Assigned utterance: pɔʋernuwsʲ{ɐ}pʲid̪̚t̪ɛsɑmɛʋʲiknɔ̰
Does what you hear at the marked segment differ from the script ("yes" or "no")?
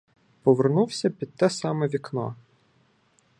no